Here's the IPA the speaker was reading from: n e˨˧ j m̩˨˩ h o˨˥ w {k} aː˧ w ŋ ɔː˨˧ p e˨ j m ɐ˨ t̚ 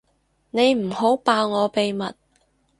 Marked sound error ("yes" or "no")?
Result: yes